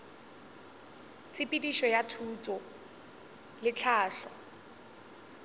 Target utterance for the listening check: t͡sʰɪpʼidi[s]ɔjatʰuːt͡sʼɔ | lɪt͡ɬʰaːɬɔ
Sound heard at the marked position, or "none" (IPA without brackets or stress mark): ʃ